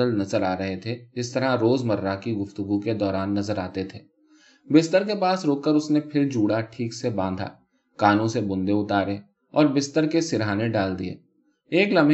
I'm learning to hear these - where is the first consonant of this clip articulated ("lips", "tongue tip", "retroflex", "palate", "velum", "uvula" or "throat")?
tongue tip